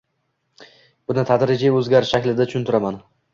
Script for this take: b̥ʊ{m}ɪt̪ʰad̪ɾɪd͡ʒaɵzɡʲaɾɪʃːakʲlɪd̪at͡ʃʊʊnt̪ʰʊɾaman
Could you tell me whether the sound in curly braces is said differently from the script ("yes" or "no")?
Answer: yes